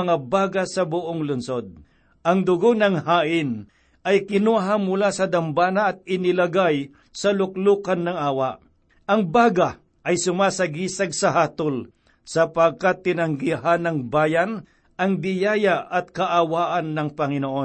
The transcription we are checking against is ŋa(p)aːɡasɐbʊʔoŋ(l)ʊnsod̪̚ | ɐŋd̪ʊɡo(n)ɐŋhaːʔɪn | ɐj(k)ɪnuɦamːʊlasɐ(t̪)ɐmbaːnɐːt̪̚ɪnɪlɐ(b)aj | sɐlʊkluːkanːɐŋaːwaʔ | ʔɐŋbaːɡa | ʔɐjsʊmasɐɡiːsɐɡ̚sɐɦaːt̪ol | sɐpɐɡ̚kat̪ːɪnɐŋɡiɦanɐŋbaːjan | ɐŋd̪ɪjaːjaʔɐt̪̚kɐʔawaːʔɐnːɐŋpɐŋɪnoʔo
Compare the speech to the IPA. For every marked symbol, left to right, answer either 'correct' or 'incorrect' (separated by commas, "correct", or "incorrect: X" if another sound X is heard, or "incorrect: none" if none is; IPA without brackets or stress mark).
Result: incorrect: b, correct, correct, correct, incorrect: d̪, incorrect: ɡ